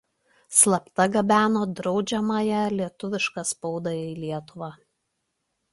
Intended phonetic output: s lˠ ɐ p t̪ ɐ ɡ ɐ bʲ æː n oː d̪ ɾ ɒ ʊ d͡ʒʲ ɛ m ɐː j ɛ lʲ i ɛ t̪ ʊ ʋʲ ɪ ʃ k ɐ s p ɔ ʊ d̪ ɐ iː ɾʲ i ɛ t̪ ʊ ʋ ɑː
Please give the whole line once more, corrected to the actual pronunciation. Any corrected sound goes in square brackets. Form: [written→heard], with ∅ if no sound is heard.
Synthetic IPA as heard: s lˠ ɐ p t̪ ɐ ɡ ɐ bʲ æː n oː d̪ ɾ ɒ ʊ d͡ʒʲ ɛ m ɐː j ɛ lʲ i ɛ t̪ ʊ ʋʲ ɪ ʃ k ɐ s p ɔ ʊ d̪ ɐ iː [ɾʲ→lʲ] i ɛ t̪ ʊ ʋ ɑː

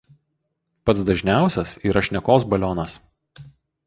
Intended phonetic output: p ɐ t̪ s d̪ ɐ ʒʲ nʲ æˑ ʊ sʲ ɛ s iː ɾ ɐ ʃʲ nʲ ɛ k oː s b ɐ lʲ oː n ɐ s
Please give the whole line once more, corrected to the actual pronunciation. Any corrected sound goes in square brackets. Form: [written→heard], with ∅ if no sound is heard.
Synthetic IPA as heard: p ɐ t̪ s d̪ ɐ ʒʲ nʲ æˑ ʊ sʲ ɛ s iː ɾ ɐ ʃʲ nʲ ɛ k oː s b ɐ lʲ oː n ɐ s

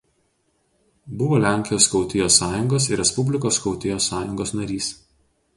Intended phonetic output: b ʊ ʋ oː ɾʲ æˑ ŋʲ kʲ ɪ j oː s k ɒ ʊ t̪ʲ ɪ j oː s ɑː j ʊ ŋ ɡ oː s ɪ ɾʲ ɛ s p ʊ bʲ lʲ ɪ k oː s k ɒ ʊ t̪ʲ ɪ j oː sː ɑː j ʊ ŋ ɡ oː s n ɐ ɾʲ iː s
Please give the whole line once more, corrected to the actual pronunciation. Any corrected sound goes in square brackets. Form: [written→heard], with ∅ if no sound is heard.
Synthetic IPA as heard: b ʊ ʋ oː [ɾʲ→lʲ] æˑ ŋʲ kʲ ɪ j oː s k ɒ ʊ t̪ʲ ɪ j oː s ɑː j ʊ ŋ ɡ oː s ɪ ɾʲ ɛ s p ʊ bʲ lʲ ɪ k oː s k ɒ ʊ t̪ʲ ɪ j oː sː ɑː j ʊ ŋ ɡ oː s n ɐ ɾʲ iː s

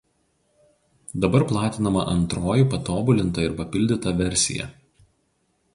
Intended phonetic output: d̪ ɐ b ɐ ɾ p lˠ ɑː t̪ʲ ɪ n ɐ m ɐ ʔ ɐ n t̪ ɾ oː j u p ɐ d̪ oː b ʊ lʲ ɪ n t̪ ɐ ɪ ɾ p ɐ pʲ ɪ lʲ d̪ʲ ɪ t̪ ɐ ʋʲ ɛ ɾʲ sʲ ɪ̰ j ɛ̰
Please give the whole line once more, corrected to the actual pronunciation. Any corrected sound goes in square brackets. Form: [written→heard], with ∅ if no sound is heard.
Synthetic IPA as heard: d̪ ɐ b ɐ ɾ p lˠ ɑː t̪ʲ ɪ n ɐ m ɐ ʔ ɐ n t̪ ɾ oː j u p ɐ [d̪→t̪] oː b ʊ lʲ ɪ n t̪ ɐ ɪ ɾ p ɐ pʲ ɪ lʲ d̪ʲ ɪ t̪ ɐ ʋʲ ɛ ɾʲ sʲ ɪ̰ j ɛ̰

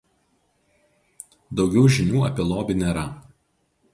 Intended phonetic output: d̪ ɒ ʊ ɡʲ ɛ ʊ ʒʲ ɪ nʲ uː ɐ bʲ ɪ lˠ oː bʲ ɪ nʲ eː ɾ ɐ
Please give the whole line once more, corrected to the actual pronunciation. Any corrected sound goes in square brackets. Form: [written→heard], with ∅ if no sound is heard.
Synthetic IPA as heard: d̪ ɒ ʊ ɡʲ ɛ ʊ ʒʲ ɪ nʲ uː ɐ [bʲ→pʲ] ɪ lˠ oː bʲ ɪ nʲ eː ɾ ɐ

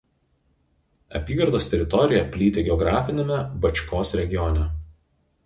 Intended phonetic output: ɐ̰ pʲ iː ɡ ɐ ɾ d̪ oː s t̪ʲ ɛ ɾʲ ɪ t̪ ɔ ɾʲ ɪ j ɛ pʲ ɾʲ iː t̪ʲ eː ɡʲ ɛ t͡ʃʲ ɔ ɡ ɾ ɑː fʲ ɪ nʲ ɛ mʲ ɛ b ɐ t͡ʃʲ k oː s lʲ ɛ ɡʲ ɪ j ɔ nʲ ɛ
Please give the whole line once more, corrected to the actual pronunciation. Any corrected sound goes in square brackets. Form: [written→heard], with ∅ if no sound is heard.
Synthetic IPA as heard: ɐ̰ pʲ iː ɡ ɐ ɾ d̪ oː s t̪ʲ ɛ ɾʲ ɪ t̪ ɔ ɾʲ ɪ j ɛ pʲ [ɾʲ→lʲ] iː t̪ʲ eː ɡʲ ɛ [t͡ʃʲ→∅] ɔ ɡ ɾ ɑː fʲ ɪ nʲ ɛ mʲ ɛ b ɐ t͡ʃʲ k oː s [lʲ→ɾʲ] ɛ ɡʲ ɪ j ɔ nʲ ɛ

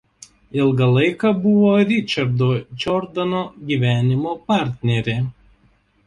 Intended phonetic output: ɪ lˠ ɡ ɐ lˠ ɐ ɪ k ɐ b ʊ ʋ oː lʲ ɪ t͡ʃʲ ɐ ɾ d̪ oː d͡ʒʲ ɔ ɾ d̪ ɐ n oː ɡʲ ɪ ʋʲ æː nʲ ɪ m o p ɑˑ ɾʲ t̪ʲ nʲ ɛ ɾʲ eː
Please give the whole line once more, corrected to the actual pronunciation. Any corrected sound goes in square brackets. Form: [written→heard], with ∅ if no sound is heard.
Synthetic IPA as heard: ɪ lˠ ɡ ɐ lˠ ɐ ɪ k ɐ b ʊ ʋ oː [lʲ→ɾʲ] ɪ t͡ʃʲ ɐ ɾ d̪ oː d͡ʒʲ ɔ ɾ d̪ ɐ n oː ɡʲ [ɪ→i] ʋʲ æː nʲ ɪ m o p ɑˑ ɾʲ t̪ʲ nʲ ɛ ɾʲ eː

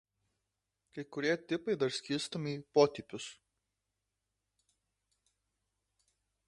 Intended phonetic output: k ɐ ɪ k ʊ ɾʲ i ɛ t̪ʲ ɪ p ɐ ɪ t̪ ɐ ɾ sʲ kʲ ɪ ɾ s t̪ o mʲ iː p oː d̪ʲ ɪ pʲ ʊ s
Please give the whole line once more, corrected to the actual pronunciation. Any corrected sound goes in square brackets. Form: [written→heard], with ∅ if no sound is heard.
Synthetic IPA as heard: k ɐ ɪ k ʊ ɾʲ i ɛ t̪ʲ ɪ p ɐ ɪ [t̪→d̪] ɐ ɾ sʲ kʲ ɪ ɾ s t̪ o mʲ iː p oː [d̪ʲ→t̪ʲ] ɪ pʲ ʊ s

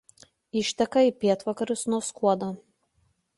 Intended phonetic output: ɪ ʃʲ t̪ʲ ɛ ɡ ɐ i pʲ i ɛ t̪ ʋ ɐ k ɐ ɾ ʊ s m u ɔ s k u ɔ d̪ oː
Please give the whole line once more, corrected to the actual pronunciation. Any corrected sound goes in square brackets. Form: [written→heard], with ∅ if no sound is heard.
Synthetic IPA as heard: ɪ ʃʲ t̪ʲ ɛ [ɡ→k] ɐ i pʲ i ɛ t̪ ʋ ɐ k ɐ ɾ ʊ s [m→n] u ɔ s k u ɔ d̪ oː

